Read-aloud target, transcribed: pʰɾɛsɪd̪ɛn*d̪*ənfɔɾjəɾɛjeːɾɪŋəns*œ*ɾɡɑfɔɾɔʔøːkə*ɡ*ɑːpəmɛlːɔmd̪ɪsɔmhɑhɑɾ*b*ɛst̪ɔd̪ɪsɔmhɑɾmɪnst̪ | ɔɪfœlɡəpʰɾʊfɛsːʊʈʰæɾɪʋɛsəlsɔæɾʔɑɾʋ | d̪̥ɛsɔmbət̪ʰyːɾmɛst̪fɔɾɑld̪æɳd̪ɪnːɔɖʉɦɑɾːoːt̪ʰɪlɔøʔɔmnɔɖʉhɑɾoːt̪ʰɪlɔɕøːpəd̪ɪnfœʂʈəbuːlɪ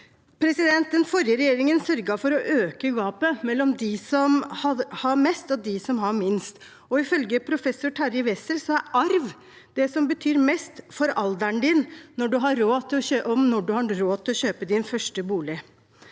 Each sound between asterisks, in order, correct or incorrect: incorrect: t̪, correct, correct, incorrect: m

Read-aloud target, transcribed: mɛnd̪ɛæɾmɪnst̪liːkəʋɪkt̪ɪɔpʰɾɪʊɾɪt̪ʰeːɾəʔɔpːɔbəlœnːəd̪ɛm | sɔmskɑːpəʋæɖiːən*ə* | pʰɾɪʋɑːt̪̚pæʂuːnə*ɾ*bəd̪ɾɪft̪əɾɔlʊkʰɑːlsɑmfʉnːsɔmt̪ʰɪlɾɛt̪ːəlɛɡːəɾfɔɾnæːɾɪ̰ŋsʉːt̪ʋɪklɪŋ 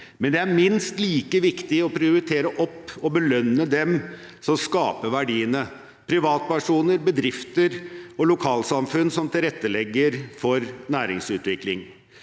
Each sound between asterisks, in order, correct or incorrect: correct, correct

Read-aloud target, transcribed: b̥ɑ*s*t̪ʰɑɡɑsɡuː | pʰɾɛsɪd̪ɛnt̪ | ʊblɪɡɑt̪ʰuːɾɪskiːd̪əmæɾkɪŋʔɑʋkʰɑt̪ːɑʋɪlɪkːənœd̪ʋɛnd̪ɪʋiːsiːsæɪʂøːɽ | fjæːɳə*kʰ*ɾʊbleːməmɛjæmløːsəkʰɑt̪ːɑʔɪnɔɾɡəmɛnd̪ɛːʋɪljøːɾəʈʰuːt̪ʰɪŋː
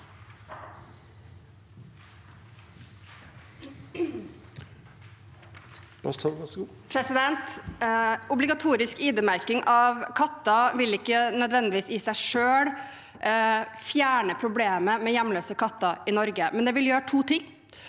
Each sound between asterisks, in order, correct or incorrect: correct, incorrect: pʰ

